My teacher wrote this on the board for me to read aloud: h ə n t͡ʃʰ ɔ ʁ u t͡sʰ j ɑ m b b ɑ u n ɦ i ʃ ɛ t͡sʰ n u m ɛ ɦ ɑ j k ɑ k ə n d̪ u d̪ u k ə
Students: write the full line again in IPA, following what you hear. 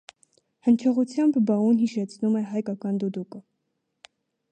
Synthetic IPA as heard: h ə n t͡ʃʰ ɔ ʁ u t͡sʰ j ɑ m b b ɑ u n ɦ i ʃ ɛ t͡sʰ n u m ɛ ɦ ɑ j k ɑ k ɑ n d̪ u d̪ u k ə